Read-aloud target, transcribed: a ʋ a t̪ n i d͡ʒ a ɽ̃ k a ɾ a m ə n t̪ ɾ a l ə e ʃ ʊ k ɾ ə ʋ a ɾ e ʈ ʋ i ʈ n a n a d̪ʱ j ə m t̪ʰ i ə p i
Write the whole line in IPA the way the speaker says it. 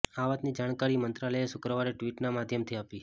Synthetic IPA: a ʋ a t̪ n i d͡ʒ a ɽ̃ k a ɾ i m ə n t̪ ɾ a l ə e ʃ ʊ k ɾ ə ʋ a ɾ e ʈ ʋ i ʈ n a m a d̪ʱ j ə m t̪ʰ i a p i